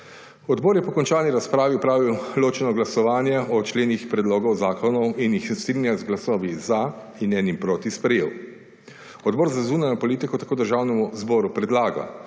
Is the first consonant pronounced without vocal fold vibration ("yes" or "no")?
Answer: no